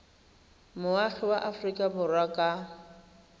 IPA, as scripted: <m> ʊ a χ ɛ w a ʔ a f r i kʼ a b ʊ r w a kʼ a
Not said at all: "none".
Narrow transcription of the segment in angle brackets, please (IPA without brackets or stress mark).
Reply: m